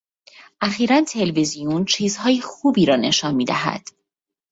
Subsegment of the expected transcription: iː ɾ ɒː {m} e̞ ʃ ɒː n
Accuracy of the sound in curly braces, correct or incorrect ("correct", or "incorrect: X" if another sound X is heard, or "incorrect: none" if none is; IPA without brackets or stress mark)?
incorrect: n